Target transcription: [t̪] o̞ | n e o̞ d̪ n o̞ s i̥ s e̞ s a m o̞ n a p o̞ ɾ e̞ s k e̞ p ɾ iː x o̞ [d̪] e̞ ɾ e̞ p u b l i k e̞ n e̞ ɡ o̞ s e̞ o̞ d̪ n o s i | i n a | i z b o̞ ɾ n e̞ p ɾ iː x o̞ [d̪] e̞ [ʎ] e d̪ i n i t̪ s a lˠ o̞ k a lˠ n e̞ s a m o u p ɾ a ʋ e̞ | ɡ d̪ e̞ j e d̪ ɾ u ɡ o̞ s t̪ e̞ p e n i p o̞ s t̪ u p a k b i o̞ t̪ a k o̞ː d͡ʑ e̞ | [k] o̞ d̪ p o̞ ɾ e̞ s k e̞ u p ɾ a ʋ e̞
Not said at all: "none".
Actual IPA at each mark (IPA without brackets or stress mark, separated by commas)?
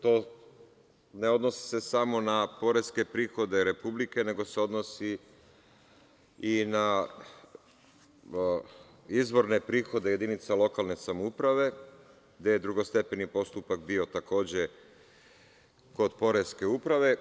t̪, d̪, d̪, j, k